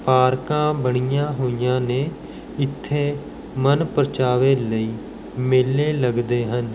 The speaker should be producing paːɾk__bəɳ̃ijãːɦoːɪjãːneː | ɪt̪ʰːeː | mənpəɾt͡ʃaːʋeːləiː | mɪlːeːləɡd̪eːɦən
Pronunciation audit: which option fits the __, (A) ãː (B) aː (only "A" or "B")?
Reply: A